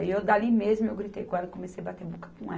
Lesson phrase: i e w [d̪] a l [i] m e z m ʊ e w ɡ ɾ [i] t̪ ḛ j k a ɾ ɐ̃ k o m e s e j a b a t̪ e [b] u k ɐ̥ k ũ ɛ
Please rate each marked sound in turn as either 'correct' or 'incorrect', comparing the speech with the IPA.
correct, correct, correct, correct

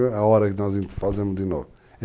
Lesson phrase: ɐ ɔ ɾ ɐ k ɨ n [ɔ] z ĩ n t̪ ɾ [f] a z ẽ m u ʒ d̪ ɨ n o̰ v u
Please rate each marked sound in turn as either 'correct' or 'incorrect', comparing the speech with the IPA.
correct, correct

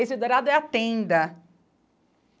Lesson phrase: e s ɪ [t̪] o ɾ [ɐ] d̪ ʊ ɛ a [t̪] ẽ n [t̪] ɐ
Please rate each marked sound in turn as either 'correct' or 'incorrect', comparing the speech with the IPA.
incorrect, incorrect, correct, incorrect

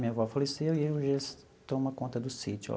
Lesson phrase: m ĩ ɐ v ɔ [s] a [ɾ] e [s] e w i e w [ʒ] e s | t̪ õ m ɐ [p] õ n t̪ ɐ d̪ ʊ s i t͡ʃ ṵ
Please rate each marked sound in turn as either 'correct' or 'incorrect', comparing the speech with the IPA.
incorrect, incorrect, correct, correct, incorrect

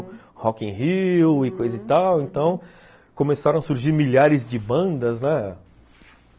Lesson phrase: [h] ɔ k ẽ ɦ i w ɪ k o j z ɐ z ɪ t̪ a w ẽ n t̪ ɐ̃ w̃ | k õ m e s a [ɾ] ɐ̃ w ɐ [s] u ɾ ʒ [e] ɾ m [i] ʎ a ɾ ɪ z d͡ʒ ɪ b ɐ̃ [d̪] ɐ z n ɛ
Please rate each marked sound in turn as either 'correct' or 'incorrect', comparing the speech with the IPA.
correct, correct, correct, incorrect, correct, correct

